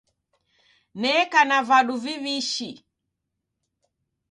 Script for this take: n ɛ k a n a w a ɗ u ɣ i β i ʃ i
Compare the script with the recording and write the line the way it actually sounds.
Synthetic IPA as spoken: n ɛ k a n a v a ɗ u v i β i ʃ i